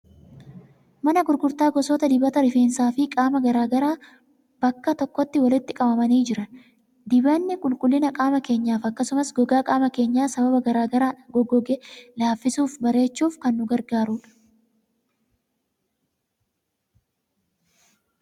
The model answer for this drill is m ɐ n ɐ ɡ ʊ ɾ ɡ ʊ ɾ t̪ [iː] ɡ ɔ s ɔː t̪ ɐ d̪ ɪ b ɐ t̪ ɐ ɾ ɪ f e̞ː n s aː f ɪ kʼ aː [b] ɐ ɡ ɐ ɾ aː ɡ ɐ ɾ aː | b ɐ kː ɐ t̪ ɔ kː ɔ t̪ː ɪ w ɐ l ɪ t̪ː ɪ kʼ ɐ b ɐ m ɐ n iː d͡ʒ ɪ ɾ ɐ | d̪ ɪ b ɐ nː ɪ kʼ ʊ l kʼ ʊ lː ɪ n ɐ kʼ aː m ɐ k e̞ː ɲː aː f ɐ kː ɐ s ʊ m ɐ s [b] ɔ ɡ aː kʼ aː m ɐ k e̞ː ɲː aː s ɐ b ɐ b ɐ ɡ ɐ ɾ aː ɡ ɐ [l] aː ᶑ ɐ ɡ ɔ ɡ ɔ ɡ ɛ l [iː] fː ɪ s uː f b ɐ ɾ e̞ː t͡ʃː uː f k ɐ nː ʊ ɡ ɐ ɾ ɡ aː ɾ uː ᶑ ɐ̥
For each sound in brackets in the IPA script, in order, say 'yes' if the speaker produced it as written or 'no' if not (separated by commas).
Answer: no, no, no, no, no